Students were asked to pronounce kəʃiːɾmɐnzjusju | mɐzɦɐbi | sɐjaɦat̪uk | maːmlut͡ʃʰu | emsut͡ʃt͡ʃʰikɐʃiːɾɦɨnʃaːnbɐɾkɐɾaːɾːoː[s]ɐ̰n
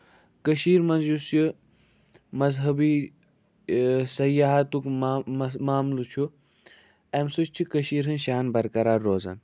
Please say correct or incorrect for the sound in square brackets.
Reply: incorrect